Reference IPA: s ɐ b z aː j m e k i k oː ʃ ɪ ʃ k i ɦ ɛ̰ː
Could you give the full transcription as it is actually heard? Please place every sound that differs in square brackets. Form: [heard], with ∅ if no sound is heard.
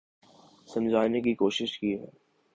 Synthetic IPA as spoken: s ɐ [m] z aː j [n] e k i k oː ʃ ɪ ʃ k i ɦ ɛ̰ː